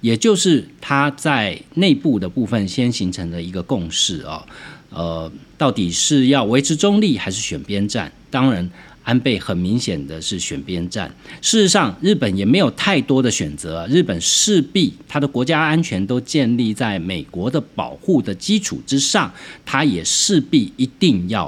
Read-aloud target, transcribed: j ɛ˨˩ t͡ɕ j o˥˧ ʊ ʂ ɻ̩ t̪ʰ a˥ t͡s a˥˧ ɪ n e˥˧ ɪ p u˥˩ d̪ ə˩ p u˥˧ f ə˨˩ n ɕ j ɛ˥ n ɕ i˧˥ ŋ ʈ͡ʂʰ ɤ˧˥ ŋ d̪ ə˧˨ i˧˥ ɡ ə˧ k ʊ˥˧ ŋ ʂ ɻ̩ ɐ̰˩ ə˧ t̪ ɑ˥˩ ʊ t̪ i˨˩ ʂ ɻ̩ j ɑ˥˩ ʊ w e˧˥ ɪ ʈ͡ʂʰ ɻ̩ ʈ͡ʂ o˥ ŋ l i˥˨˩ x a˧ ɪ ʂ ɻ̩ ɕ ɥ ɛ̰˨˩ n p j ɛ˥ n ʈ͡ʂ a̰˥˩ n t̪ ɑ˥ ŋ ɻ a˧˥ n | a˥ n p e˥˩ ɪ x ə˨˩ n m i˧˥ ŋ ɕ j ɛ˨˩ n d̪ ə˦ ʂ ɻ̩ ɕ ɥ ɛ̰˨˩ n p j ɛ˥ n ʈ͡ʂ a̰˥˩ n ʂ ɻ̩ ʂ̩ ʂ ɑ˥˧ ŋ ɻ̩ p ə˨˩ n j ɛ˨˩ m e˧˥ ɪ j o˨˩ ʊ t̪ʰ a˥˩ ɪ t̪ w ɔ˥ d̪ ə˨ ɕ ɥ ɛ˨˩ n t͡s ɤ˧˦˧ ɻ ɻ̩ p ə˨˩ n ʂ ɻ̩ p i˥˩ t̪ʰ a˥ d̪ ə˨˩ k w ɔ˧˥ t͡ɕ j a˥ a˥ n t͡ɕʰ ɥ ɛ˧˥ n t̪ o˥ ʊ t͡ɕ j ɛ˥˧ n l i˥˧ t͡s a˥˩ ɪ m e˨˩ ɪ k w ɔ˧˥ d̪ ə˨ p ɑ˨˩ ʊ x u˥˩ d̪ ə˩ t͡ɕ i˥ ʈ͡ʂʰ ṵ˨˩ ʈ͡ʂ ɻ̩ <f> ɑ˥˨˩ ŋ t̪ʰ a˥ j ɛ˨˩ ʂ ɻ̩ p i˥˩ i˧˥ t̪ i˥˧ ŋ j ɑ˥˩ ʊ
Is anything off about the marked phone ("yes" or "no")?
yes